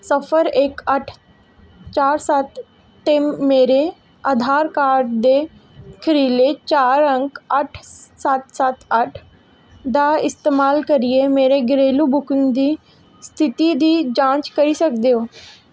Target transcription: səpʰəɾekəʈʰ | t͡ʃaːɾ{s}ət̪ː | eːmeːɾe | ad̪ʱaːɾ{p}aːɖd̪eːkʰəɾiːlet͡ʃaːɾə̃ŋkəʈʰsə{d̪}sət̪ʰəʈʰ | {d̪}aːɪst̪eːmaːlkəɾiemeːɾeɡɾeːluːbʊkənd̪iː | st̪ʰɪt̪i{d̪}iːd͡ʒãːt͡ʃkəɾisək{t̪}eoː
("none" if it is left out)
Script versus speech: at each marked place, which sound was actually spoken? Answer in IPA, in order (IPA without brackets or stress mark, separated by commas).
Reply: s, k, t̪, d̪, d̪, d̪